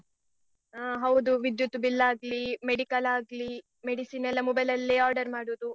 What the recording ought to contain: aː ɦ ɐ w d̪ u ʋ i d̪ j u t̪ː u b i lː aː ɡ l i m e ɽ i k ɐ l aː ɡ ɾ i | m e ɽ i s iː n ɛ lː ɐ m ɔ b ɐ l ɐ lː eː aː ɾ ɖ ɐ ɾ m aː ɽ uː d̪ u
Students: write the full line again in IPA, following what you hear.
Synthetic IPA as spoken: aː ɦ ɐ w d̪ u ʋ i d̪ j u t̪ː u b i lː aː ɡ l i m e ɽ i k ɐ l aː ɡ l i | m e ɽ i s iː n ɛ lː ɐ m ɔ b ɐ l ɐ lː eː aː ɾ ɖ ɐ ɾ m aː ɽ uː d̪ u